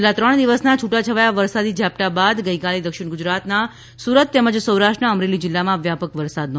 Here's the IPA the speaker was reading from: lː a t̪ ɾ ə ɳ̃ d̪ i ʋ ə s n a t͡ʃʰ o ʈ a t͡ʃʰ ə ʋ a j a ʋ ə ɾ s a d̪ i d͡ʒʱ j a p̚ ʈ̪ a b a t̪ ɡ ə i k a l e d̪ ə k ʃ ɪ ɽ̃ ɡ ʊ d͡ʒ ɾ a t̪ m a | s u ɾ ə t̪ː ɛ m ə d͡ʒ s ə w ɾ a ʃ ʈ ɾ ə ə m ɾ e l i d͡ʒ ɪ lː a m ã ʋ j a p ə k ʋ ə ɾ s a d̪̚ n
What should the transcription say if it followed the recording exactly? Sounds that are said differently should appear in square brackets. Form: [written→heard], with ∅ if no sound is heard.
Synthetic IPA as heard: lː a t̪ ɾ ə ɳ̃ d̪ i ʋ ə s n a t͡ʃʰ [o→u] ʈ a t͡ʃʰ ə ʋ a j a ʋ ə ɾ s a d̪ i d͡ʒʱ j a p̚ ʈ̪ a b a [t̪→d̪] ɡ ə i k a l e d̪ ə k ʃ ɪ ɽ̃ ɡ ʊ d͡ʒ ɾ a t̪ [m→n] a | s u ɾ ə t̪ː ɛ m ə d͡ʒ s ə w ɾ a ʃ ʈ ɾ ə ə m ɾ e l i d͡ʒ ɪ lː a m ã ʋ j a p ə k ʋ ə ɾ s a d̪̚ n

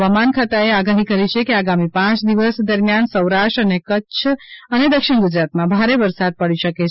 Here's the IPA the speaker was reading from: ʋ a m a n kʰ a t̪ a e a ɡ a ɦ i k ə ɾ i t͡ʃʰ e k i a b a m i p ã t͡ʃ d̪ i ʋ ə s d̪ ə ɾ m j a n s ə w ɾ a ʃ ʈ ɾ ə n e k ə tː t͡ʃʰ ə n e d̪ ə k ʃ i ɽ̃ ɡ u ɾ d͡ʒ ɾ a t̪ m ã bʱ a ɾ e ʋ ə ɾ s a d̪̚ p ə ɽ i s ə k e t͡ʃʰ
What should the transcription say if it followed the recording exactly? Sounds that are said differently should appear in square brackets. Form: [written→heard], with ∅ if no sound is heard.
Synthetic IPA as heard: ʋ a m a n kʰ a t̪ a e a ɡ a ɦ i k ə ɾ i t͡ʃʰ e k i a [b→ɡ] a m i p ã t͡ʃ d̪ i ʋ ə s d̪ ə ɾ m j a n s ə w ɾ a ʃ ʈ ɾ ə n e k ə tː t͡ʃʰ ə n e d̪ ə k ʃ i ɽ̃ ɡ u [ɾ→∅] d͡ʒ ɾ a t̪ m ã bʱ a ɾ e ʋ ə ɾ s a d̪̚ p ə ɽ i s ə k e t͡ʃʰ

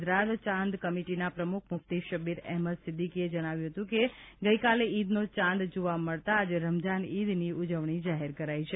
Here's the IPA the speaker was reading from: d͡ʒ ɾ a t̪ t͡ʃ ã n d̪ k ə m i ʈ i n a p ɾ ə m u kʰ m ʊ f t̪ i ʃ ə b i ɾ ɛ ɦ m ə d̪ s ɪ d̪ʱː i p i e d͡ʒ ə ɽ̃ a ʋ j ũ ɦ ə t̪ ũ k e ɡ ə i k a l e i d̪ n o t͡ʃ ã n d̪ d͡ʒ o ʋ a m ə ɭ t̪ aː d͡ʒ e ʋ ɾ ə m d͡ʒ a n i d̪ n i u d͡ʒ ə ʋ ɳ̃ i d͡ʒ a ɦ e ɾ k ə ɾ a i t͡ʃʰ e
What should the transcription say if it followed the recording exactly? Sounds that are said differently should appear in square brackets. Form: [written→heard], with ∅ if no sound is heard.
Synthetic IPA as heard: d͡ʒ ɾ a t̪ t͡ʃ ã n d̪ k ə m i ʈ i n a p ɾ ə m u kʰ m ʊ f t̪ i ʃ ə b i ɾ ɛ ɦ m ə d̪ s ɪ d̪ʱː i [p→k] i e d͡ʒ ə ɽ̃ a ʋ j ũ ɦ ə t̪ ũ k e ɡ ə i k a l e i d̪ n o t͡ʃ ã n d̪ d͡ʒ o ʋ a m ə ɭ t̪ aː d͡ʒ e [ʋ→∅] ɾ ə m d͡ʒ a n i d̪ n i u d͡ʒ ə ʋ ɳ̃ i d͡ʒ a ɦ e ɾ k ə ɾ a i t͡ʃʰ e

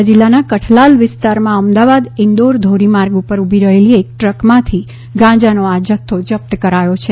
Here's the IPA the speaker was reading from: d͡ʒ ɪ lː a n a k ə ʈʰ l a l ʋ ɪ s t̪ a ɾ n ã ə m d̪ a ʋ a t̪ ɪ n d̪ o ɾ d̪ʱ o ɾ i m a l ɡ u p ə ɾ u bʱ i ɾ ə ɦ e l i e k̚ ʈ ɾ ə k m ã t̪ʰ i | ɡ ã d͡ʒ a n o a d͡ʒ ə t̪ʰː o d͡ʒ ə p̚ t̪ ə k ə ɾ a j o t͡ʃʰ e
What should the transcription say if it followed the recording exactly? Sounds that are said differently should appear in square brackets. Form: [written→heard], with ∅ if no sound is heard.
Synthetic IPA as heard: d͡ʒ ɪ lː a n a k ə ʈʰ l a l ʋ ɪ s t̪ a ɾ [n→m] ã ə m d̪ a ʋ a [t̪→d̪] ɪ n d̪ o ɾ d̪ʱ o ɾ i m a [l→ɾ] ɡ u p ə ɾ u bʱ i ɾ ə ɦ e l i e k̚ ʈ ɾ ə k m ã t̪ʰ i | ɡ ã d͡ʒ a n o a d͡ʒ ə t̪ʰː o d͡ʒ ə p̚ t̪ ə k ə ɾ a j o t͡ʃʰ e

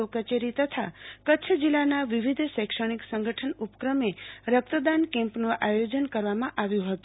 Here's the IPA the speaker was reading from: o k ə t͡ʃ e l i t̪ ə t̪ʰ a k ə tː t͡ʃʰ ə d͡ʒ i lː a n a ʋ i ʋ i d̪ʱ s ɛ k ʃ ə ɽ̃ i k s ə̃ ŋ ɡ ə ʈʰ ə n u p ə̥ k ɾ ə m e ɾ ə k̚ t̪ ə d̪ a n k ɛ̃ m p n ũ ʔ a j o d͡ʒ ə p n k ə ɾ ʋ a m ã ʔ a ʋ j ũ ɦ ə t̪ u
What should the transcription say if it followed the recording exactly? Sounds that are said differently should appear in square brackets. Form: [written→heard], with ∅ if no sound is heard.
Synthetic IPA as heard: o k ə t͡ʃ e [l→ɾ] i t̪ ə t̪ʰ a k ə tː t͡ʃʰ ə d͡ʒ i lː a n a ʋ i ʋ i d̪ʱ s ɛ k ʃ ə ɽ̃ i k s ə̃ ŋ ɡ ə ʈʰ ə n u p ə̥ k ɾ ə m e ɾ ə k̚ t̪ ə d̪ a n k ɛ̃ m p n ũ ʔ a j o d͡ʒ ə [p→∅] n k ə ɾ ʋ a m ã ʔ a ʋ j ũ ɦ ə t̪ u

